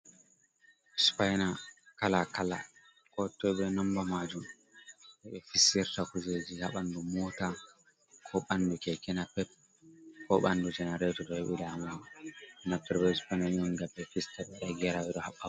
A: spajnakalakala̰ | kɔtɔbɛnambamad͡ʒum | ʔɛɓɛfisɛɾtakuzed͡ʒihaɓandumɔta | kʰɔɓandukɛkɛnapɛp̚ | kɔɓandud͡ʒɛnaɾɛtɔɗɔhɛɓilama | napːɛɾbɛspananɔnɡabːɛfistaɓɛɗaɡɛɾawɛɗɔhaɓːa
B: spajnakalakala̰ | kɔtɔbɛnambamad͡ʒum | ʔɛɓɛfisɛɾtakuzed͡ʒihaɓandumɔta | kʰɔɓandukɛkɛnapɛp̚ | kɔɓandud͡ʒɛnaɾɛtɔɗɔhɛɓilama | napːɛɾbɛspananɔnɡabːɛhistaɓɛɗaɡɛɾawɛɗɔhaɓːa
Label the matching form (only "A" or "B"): A